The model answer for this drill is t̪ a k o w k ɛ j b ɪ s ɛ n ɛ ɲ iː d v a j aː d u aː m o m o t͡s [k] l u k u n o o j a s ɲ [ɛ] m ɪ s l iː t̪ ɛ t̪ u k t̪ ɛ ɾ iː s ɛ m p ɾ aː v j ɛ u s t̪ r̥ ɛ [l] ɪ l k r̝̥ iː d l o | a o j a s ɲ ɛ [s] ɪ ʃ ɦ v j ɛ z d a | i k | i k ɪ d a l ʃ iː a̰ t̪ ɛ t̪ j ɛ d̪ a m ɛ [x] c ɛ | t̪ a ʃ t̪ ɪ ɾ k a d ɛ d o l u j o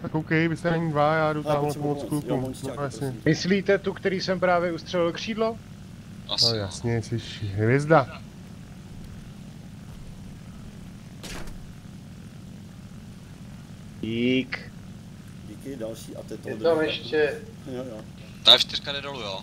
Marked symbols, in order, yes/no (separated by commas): yes, yes, yes, yes, no